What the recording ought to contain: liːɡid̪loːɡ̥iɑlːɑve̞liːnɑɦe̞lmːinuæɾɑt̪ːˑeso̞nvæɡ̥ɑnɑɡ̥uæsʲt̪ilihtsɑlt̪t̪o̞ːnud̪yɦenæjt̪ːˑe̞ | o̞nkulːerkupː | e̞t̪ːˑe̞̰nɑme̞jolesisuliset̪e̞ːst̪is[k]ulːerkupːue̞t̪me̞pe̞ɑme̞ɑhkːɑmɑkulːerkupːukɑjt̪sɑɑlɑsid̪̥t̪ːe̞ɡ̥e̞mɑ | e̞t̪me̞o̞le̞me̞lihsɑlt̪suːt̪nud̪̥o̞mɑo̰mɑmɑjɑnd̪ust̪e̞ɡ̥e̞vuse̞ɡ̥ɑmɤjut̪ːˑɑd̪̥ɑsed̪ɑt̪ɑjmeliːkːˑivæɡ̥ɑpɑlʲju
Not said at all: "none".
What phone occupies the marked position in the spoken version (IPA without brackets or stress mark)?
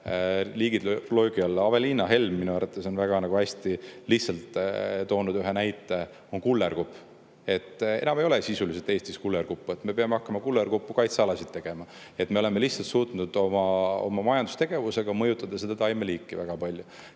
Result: k